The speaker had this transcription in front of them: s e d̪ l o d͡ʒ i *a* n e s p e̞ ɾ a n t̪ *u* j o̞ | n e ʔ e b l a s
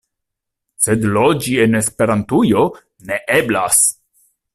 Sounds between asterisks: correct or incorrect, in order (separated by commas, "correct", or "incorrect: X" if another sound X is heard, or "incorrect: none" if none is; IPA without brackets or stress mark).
incorrect: e, correct